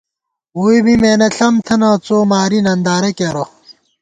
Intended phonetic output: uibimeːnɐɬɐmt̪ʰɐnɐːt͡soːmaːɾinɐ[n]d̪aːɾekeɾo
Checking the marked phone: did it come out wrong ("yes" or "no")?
no